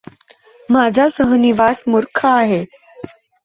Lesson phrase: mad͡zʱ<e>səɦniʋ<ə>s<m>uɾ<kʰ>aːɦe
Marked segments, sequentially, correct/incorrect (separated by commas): incorrect, incorrect, correct, correct